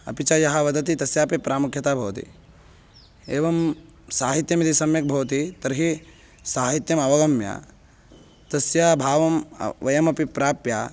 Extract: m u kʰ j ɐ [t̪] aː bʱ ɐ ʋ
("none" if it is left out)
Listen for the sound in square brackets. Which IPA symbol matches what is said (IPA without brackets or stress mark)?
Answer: t̪